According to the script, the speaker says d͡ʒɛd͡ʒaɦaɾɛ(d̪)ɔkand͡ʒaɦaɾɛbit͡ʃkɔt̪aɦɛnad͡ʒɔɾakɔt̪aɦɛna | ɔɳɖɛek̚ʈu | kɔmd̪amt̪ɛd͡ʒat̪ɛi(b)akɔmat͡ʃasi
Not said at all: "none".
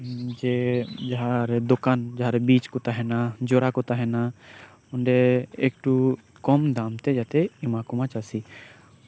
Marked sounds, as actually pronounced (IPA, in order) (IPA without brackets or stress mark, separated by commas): d̪, m